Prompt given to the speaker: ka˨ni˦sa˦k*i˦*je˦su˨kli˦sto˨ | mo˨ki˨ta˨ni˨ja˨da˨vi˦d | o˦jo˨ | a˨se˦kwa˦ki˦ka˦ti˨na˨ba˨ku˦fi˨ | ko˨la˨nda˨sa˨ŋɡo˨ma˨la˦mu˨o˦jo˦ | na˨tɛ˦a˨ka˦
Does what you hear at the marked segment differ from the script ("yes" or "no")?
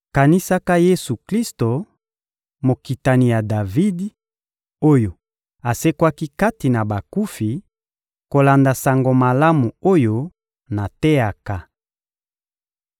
yes